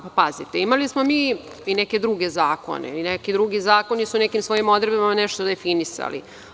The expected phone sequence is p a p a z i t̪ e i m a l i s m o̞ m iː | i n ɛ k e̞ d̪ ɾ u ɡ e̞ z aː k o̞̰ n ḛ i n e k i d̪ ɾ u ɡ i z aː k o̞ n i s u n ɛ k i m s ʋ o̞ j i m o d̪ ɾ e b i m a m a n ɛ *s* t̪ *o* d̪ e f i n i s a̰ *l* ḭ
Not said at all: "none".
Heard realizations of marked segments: ʃ, o, l

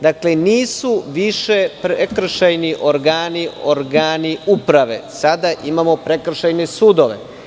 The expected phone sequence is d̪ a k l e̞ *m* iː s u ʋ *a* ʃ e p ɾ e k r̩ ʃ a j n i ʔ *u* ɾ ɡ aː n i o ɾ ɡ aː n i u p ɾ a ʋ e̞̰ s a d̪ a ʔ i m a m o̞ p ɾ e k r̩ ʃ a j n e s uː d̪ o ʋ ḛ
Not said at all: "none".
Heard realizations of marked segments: n, i, o

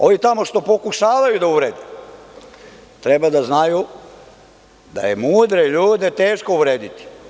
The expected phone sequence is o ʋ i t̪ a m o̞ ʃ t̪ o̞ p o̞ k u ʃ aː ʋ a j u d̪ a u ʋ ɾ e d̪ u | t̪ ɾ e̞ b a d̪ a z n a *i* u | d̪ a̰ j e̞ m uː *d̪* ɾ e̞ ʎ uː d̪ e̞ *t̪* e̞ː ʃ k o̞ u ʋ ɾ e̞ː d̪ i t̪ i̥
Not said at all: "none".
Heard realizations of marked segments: j, d̪, t̪

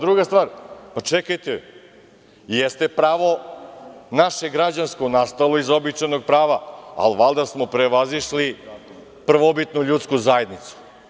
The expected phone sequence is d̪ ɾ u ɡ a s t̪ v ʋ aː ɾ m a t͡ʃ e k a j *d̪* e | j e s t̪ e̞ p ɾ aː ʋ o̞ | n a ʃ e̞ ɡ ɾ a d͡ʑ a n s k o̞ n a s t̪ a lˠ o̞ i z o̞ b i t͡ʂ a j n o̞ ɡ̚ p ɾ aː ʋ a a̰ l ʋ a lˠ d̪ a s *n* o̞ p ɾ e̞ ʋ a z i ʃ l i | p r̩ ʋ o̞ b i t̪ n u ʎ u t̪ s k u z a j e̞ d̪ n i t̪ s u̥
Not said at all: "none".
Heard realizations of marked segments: t̪, m

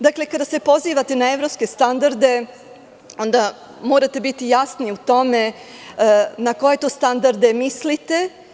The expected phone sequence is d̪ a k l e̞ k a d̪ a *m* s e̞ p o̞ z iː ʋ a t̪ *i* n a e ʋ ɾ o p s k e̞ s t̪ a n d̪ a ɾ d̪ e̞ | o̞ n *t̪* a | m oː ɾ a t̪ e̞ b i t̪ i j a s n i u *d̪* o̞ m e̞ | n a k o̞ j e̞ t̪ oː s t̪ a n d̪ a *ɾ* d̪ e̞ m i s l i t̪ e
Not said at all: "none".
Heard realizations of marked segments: none, e, d̪, t̪, ɾ

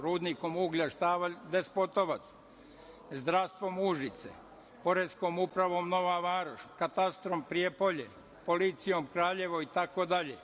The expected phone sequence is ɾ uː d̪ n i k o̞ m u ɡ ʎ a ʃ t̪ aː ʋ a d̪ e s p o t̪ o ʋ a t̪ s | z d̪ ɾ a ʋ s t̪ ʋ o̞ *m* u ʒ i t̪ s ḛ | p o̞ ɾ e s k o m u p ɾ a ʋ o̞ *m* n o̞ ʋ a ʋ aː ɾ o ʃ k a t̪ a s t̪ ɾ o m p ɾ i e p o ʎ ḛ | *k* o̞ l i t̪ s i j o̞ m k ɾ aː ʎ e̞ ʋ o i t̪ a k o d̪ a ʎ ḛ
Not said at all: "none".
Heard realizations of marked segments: m, m, p

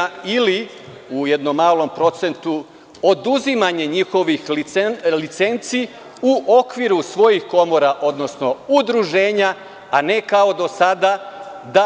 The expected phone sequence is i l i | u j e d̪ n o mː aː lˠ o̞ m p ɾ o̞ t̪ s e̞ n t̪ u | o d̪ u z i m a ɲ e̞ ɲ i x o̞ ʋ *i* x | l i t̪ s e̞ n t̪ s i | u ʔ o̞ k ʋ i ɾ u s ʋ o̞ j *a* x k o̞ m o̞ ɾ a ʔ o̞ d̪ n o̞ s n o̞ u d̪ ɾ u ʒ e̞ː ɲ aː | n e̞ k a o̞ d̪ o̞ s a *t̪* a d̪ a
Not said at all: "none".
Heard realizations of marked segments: i, i, d̪

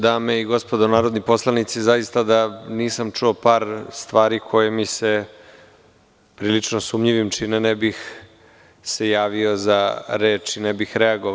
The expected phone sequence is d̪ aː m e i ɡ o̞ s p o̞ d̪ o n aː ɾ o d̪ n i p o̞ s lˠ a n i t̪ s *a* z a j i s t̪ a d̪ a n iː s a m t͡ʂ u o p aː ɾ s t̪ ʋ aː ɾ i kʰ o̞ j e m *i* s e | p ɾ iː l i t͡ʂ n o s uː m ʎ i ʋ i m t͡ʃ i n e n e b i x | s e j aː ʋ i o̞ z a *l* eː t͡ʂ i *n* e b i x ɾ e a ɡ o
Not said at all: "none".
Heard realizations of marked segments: i, i, ɾ, n

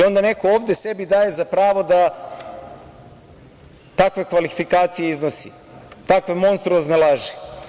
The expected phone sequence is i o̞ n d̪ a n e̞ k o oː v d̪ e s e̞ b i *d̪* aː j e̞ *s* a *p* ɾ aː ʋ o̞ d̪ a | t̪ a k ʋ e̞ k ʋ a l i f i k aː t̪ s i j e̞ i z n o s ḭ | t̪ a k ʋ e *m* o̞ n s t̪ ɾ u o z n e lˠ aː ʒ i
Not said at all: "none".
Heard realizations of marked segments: d̪, z, p, m

